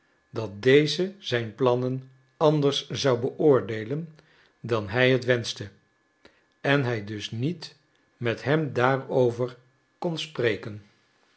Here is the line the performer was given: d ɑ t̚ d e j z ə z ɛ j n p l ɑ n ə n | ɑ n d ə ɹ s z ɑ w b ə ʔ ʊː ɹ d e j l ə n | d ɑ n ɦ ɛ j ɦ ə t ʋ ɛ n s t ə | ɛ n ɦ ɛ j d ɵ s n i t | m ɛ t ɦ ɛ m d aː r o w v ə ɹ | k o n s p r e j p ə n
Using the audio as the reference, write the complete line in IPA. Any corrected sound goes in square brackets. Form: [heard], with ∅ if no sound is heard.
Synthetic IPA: d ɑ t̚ d e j z ə z ɛ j n p l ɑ n ə n | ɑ n d ə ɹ s z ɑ w b ə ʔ ʊː ɹ d e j l ə n | d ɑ n ɦ ɛ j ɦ ə t ʋ ɛ n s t ə | ɛ n ɦ ɛ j d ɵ s n i t | m ɛ t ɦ ɛ m d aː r o w v ə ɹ | k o n s p r e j [k] ə n